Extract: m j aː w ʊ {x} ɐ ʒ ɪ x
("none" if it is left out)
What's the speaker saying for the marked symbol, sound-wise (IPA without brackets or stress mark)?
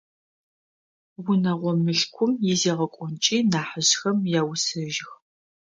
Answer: s